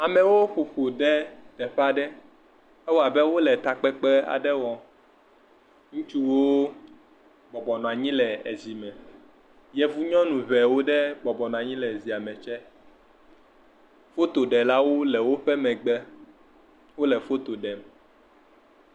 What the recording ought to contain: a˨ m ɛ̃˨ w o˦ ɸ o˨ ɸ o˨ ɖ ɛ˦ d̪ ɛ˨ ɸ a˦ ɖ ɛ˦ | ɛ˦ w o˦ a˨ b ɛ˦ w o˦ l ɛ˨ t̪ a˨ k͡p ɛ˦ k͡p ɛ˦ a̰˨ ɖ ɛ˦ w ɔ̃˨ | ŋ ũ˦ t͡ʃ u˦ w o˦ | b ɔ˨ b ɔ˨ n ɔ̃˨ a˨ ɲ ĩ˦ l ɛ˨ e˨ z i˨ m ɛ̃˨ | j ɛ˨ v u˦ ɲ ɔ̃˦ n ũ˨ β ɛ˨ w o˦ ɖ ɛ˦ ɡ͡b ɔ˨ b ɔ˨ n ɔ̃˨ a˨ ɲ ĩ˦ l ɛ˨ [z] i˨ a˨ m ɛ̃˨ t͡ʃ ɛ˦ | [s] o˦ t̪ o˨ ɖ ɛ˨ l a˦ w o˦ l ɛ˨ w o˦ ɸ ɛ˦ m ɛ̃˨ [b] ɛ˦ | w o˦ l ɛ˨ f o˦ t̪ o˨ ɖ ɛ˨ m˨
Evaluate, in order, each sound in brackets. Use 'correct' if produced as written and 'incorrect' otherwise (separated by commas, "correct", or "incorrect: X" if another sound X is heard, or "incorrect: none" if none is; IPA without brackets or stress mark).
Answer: correct, incorrect: f, incorrect: ɡ͡b